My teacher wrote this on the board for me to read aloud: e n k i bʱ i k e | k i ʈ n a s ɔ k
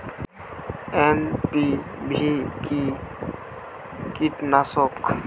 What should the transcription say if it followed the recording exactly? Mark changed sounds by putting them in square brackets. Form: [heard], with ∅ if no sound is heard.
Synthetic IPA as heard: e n [p] i bʱ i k [i] | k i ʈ n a s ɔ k